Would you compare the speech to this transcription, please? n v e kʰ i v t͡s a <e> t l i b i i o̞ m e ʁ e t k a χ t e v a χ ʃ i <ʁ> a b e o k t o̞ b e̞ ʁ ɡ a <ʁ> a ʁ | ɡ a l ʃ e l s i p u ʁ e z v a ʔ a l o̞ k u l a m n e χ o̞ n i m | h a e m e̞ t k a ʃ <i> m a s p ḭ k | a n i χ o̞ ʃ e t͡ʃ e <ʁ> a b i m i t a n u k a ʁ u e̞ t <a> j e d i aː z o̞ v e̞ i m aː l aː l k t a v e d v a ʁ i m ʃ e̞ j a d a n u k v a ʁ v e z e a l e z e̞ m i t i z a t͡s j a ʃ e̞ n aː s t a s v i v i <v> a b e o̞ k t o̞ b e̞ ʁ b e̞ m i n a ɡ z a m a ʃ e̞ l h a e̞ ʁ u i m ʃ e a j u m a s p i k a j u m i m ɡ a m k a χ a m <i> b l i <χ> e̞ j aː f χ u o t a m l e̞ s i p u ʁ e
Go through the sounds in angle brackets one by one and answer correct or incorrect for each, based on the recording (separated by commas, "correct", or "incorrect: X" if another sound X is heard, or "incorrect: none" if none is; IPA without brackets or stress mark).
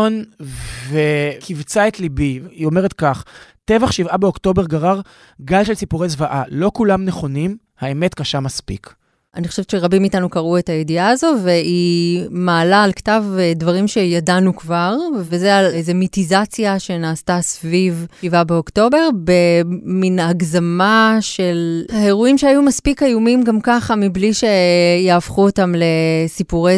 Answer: correct, incorrect: v, correct, incorrect: a, correct, correct, correct, correct, incorrect: ʃ